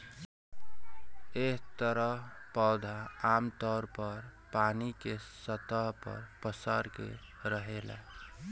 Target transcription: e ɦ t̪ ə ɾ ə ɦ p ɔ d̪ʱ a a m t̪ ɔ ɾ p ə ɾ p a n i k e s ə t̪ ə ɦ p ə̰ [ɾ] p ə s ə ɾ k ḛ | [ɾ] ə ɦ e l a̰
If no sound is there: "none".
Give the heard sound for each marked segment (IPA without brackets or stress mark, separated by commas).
ɾ, ɾ